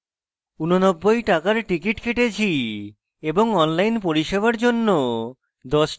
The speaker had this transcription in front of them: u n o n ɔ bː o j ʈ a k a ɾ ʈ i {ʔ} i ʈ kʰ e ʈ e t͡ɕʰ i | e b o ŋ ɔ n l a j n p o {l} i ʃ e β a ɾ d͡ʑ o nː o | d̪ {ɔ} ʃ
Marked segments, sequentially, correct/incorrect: incorrect: k, incorrect: ɾ, correct

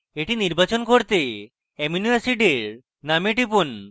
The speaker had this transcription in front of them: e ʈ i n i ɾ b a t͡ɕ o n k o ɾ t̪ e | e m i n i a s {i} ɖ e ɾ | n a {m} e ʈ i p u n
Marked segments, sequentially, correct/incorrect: correct, correct

